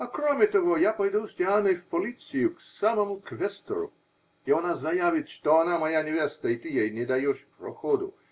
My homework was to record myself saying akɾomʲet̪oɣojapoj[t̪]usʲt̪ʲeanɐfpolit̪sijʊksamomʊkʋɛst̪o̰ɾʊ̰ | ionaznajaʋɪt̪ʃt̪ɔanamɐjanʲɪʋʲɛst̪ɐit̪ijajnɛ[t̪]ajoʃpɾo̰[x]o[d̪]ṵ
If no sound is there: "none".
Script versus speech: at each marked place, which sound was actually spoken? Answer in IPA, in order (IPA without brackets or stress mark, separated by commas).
d̪, d̪, x, d̪